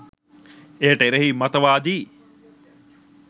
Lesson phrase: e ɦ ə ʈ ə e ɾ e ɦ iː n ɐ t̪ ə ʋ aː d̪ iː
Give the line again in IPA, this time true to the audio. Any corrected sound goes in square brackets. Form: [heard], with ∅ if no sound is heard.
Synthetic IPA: e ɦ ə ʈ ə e ɾ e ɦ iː [m] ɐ t̪ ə ʋ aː d̪ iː